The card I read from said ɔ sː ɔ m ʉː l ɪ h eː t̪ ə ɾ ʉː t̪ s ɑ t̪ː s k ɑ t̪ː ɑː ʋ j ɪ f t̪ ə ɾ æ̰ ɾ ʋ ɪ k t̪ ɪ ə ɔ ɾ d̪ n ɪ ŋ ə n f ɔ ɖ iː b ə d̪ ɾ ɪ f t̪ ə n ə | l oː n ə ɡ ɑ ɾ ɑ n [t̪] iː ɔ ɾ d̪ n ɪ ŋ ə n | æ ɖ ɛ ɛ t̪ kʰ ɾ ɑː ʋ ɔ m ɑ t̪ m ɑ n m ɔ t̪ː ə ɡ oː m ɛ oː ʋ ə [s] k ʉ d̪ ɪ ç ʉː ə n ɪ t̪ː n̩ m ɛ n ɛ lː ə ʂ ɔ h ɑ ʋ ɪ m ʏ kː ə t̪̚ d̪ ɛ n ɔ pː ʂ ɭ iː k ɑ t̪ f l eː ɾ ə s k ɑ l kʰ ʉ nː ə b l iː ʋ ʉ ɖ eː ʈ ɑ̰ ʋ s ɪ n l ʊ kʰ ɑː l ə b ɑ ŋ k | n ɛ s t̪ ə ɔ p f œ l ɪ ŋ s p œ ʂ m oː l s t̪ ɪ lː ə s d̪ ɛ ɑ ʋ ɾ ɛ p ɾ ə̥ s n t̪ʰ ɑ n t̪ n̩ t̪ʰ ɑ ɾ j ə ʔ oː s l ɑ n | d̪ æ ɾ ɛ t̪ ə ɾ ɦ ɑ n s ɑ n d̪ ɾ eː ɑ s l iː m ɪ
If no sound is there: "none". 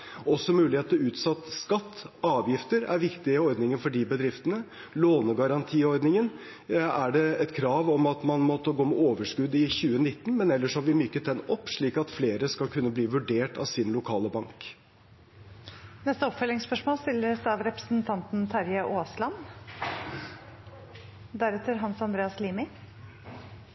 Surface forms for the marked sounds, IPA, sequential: t̪ʰ, ʂ

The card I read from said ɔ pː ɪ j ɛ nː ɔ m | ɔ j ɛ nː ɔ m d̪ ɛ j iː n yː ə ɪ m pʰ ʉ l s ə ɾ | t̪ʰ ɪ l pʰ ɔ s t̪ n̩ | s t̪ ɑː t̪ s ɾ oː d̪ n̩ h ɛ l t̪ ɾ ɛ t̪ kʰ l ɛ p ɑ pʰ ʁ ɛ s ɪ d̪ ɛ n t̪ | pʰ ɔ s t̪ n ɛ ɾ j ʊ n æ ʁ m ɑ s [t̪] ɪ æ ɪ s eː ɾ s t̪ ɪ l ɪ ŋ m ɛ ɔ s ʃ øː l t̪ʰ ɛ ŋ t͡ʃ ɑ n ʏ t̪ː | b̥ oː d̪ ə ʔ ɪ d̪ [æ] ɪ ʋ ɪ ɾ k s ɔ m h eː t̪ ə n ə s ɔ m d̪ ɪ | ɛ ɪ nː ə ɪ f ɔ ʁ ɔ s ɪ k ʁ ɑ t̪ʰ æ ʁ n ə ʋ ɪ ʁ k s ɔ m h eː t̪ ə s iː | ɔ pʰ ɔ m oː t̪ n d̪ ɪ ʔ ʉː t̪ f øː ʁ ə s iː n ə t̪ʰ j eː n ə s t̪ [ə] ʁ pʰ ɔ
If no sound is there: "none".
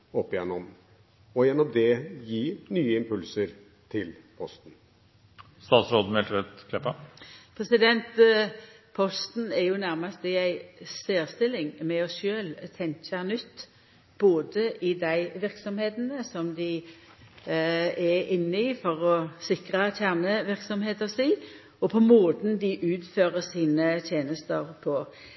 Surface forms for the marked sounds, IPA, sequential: t̪, æ, ə

